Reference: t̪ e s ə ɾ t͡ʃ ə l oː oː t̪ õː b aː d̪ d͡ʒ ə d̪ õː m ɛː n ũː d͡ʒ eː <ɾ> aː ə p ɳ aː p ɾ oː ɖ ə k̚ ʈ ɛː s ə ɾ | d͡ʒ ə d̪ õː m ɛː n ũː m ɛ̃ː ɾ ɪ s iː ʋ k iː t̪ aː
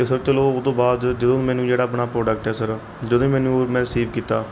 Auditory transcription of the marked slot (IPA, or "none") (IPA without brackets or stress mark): ɽ